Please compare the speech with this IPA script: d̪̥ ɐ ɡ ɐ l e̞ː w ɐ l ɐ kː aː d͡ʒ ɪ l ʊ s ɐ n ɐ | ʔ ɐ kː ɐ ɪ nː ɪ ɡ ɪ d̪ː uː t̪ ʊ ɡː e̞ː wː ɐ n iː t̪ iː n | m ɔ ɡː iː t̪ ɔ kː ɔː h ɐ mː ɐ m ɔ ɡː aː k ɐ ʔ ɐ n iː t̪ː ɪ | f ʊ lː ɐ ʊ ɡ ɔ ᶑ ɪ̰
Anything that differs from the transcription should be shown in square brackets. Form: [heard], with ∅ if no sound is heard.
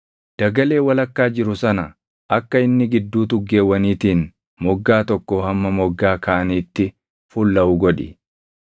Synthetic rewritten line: d̪̥ ɐ ɡ ɐ l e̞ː w ɐ l ɐ kː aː d͡ʒ ɪ [ɾ] ʊ s ɐ n ɐ | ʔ ɐ kː ɐ ɪ nː ɪ ɡ ɪ d̪ː uː t̪ ʊ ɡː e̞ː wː ɐ n iː t̪ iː n | m ɔ ɡː [aː] t̪ ɔ kː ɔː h ɐ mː ɐ m ɔ ɡː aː k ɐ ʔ ɐ n iː t̪ː ɪ | f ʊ lː ɐ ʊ ɡ ɔ ᶑ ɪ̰